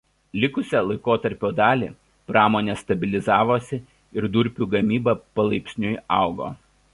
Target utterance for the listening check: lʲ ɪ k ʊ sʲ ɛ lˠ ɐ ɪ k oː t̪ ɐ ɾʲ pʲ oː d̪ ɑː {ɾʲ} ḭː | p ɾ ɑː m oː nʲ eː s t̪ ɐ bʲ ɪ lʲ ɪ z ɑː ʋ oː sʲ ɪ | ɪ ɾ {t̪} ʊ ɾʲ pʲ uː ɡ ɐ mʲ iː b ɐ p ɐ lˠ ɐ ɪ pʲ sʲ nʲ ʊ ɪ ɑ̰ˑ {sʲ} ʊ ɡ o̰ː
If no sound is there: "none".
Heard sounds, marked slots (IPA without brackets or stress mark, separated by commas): lʲ, d̪, none